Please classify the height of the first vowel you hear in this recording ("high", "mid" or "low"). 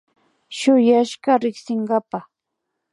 high